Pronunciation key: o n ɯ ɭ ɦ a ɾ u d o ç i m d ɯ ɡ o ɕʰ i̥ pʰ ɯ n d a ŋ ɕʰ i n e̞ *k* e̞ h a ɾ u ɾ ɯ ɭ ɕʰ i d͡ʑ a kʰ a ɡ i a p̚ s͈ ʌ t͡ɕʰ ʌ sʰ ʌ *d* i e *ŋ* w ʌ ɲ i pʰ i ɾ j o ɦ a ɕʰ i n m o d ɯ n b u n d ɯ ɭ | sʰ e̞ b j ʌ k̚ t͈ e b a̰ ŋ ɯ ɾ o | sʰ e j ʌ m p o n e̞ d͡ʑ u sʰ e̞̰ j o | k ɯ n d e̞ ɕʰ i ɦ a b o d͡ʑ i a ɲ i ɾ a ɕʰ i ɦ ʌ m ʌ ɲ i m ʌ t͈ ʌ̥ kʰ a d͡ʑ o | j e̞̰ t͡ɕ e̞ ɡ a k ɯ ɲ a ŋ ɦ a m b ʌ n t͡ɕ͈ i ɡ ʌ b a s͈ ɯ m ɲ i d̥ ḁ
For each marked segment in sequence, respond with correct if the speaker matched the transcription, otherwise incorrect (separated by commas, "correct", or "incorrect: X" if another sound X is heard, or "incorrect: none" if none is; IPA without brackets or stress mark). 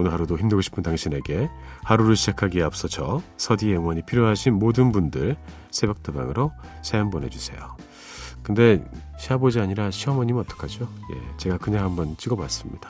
incorrect: ɡ, correct, correct